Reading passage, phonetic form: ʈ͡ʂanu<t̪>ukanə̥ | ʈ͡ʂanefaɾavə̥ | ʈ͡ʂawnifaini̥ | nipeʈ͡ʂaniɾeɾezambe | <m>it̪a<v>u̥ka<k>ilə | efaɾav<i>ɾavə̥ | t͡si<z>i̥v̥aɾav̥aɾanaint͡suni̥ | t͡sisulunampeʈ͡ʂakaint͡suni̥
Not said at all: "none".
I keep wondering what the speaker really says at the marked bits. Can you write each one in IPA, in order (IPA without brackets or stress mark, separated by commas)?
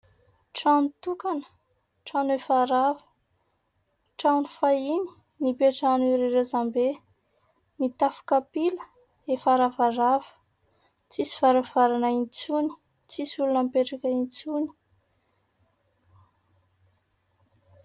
t̪, m, f, p, a, s